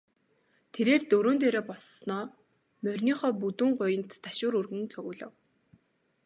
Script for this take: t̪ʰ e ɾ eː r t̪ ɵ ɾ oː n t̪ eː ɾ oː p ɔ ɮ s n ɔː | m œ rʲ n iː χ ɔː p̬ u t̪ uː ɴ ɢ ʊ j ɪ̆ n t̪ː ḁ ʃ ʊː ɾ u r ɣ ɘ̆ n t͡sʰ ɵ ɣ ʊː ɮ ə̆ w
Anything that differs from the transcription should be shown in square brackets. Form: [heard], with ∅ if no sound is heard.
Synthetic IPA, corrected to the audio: t̪ʰ e ɾ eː r t̪ ɵ ɾ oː n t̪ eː ɾ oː p ɔ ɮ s n ɔː | m œ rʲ n iː χ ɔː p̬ u t̪ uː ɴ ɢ ʊ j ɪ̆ n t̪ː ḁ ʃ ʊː ɾ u r ɣ ɘ̆ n t͡sʰ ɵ ɣ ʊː ɮ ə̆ w

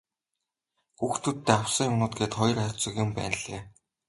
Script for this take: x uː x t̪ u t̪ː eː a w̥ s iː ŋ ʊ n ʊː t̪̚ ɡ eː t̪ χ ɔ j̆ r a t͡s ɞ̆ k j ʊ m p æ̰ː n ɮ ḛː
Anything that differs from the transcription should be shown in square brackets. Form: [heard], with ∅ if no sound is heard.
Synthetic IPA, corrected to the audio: x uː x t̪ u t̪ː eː a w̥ s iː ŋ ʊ n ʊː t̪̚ ɡ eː t̪ χ ɔ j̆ r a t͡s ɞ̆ k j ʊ m p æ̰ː n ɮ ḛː

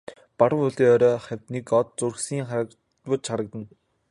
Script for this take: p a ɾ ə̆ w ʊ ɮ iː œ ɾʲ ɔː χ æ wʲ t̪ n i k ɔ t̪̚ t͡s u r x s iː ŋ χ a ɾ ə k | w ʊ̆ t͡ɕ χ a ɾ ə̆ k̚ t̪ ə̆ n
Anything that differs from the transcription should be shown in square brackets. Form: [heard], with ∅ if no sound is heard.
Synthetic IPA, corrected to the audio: p a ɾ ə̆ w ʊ ɮ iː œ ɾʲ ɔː χ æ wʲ t̪ n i k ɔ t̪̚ t͡s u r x s iː ŋ χ a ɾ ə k | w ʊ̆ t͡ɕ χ a ɾ ə̆ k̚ t̪ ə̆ n

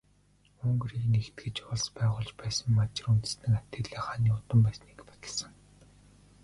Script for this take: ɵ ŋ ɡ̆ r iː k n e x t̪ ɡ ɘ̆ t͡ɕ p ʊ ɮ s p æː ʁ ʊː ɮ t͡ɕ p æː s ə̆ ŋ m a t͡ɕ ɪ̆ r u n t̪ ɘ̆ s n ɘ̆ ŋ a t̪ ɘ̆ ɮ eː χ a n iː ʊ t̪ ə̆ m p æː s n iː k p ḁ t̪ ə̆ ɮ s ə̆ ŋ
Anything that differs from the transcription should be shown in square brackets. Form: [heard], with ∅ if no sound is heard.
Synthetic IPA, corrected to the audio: ɵ ŋ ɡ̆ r iː k n e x t̪ ɡ ɘ̆ t͡ɕ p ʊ ɮ s p æː ʁ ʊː ɮ t͡ɕ p æː s ə̆ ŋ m a t͡ɕ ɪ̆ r u n t̪ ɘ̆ s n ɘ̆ ŋ a t̪ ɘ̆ ɮ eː χ a n iː ʊ t̪ ə̆ m p æː s n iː k p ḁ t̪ ə̆ ɮ s ə̆ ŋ

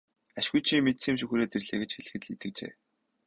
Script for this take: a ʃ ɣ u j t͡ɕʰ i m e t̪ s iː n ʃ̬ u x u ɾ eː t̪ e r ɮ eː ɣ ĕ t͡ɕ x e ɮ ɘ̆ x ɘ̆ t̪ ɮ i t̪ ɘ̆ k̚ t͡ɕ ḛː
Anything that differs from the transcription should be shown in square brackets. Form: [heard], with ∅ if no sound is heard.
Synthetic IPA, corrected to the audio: a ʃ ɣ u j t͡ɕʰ i m e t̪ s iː [m] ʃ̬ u x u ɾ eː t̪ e r ɮ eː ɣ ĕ t͡ɕ x e ɮ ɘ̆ x ɘ̆ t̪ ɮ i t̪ ɘ̆ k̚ t͡ɕ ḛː

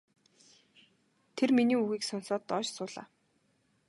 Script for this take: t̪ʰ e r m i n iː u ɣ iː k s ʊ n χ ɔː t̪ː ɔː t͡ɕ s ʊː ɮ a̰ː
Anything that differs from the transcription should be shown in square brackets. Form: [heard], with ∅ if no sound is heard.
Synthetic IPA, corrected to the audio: t̪ʰ e r m i n iː u ɣ iː k s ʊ n [s] ɔː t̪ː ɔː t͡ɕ s ʊː ɮ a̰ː

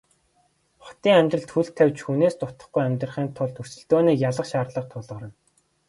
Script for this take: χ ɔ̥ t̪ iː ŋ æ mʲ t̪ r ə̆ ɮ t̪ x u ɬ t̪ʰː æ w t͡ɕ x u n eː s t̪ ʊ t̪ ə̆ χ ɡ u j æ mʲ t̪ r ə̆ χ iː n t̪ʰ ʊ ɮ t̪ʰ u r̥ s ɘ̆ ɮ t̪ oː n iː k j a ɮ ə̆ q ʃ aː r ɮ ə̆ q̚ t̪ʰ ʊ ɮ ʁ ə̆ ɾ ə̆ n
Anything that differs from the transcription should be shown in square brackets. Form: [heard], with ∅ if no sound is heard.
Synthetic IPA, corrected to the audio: χ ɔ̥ t̪ iː ŋ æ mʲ t̪ r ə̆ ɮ t̪ x u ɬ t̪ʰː æ w t͡ɕ x u n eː s t̪ ʊ t̪ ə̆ χ ɡ u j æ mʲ t̪ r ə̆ χ iː n t̪ʰ ʊ ɮ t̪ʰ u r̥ s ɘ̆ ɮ t̪ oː n iː k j a ɮ ə̆ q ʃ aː r ɮ ə̆ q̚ t̪ʰ ʊ ɮ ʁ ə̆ ɾ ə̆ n

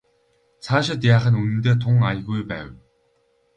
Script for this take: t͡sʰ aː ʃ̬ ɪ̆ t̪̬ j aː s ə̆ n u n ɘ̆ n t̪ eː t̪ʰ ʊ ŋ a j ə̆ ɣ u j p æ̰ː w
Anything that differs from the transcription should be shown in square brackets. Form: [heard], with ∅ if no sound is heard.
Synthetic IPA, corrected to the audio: t͡sʰ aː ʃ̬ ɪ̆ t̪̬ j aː [χ] ə̆ n u n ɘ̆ n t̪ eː t̪ʰ ʊ ŋ a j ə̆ ɣ u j p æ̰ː w

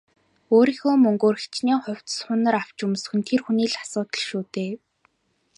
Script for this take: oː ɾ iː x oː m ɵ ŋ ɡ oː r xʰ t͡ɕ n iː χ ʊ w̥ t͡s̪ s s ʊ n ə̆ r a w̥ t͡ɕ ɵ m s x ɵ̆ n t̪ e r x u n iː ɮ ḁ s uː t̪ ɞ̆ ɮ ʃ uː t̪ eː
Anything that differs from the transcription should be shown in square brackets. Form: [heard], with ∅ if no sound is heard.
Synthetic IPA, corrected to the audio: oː ɾ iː x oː m ɵ ŋ ɡ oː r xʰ t͡ɕ n iː χ ʊ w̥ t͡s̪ s [χ] ʊ n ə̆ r a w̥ t͡ɕ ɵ m s x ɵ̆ n [t̪ʰ] e r x u n iː ɮ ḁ s [ʊː] t̪ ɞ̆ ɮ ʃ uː t̪ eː

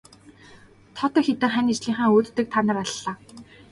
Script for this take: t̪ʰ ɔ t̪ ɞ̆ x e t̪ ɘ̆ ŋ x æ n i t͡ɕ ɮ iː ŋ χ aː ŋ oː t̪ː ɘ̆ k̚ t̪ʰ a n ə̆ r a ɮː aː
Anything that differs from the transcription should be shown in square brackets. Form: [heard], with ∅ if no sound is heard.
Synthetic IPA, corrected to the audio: t̪ʰ ɔ t̪ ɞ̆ x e t̪ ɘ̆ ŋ [χ] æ n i t͡ɕ ɮ iː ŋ χ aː ŋ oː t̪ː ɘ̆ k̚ t̪ʰ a n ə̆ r a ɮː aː

